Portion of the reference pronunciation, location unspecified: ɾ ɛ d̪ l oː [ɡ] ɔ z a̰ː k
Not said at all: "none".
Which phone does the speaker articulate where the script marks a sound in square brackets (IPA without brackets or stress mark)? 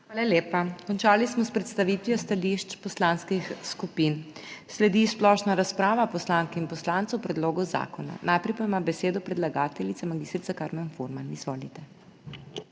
ɡ